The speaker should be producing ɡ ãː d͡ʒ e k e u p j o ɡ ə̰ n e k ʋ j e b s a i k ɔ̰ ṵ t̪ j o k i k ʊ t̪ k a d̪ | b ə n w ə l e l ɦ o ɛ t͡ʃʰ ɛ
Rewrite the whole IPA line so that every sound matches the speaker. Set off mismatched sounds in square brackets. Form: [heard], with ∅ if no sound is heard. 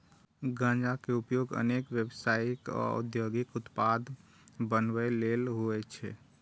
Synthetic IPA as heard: ɡ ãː d͡ʒ [a] k e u p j o ɡ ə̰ n e k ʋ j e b s a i k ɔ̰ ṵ [d̪] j o [ɡ] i k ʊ t̪ [p] a d̪ | b ə n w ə l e l ɦ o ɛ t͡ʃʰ ɛ